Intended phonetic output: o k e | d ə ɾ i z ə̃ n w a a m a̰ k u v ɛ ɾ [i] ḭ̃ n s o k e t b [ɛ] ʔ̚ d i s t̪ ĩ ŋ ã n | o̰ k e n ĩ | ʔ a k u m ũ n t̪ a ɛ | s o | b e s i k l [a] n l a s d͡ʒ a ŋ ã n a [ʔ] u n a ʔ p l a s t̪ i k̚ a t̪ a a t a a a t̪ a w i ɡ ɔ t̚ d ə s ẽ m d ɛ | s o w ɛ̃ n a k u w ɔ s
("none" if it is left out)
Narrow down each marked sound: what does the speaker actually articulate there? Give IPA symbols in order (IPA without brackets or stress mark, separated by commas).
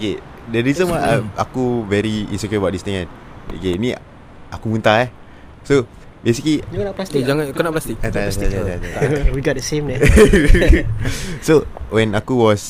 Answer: i, a, i, k